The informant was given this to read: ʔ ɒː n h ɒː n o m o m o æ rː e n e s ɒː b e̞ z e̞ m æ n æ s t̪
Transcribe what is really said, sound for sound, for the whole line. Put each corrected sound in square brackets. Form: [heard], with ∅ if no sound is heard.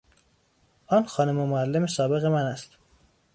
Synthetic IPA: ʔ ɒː n [x] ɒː n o m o m o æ [lː] e [m] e s ɒː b e̞ [ɣ] e̞ m æ n æ s t̪